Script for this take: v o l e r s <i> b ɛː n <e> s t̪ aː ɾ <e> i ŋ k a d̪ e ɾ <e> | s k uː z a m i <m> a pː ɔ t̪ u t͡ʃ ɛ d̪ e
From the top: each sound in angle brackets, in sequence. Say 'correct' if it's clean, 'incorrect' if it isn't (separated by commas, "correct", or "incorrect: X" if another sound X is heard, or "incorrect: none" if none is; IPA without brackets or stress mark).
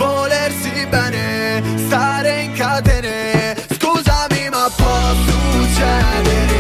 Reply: correct, correct, correct, correct, correct